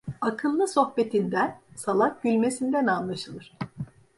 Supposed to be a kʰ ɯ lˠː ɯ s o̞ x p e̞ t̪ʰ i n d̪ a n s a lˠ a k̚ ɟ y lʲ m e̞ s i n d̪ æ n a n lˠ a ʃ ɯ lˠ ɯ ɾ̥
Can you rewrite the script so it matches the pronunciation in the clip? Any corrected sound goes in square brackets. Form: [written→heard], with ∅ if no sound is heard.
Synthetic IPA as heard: a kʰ ɯ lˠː ɯ s o̞ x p e̞ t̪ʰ i n d̪ [a→æ] n s a lˠ a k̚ ɟ y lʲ m e̞ s i n d̪ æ n a n lˠ a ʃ ɯ lˠ ɯ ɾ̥